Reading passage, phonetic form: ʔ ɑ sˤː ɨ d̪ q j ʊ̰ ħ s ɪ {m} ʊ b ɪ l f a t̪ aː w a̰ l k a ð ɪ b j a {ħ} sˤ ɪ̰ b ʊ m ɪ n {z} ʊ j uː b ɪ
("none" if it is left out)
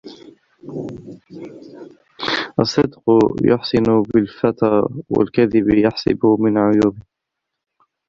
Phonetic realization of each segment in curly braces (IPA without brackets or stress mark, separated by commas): n, ħ, ʕ